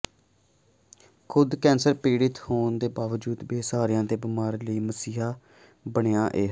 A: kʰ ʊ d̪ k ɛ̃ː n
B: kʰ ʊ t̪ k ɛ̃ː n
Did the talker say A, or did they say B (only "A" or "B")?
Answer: A